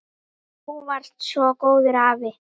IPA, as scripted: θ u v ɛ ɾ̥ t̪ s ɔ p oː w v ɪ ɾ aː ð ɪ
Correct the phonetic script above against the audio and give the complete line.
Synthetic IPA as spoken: h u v a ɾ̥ t̪ s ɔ k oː w ð ɪ ɾ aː v ɪ